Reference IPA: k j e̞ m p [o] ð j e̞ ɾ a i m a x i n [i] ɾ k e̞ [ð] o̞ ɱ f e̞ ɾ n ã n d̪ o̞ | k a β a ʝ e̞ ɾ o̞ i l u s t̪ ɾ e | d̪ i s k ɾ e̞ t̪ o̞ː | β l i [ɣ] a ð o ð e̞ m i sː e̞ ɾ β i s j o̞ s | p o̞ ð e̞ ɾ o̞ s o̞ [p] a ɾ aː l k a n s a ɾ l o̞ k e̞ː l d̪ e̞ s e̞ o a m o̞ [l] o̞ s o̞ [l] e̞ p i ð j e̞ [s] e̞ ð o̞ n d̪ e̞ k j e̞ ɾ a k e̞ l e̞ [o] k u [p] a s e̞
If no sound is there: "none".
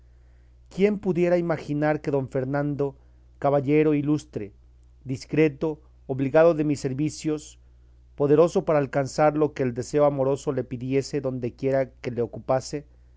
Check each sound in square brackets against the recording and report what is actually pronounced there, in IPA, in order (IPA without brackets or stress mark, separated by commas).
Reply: u, a, ð, ɣ, p, ɾ, l, s, o, p